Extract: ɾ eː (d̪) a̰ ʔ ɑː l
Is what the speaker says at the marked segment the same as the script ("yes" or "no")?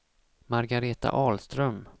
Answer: no